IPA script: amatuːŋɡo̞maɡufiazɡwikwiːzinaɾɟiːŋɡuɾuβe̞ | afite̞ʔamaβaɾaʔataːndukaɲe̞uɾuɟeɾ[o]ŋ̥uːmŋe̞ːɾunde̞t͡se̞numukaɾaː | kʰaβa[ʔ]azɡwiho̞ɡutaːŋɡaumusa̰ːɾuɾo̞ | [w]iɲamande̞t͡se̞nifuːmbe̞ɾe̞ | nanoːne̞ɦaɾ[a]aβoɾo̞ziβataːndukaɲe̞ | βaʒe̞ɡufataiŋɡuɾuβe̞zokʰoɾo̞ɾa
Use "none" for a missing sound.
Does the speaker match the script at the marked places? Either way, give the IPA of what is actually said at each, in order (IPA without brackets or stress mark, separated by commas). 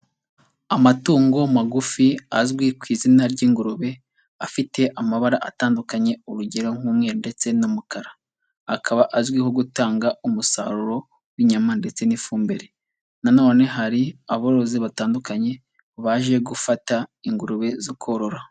o, ʔ, w, i